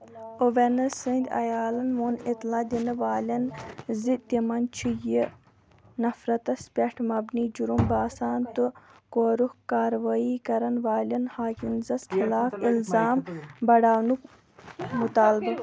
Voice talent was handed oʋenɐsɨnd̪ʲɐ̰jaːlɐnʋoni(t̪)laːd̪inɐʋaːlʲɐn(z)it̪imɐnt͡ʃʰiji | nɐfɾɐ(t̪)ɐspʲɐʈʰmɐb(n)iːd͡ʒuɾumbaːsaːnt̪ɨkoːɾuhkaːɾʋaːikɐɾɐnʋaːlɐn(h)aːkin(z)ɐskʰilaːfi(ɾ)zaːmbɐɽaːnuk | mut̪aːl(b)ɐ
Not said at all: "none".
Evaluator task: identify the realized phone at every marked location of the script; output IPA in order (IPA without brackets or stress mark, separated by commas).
t̪, z, t̪, n, h, z, l, b